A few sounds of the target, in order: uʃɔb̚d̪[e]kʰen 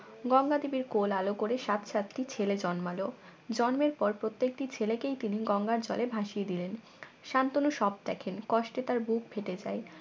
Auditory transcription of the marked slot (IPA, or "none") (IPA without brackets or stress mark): ɛ